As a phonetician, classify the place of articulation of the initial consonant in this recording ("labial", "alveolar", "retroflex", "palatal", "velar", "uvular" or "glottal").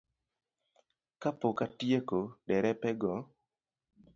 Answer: velar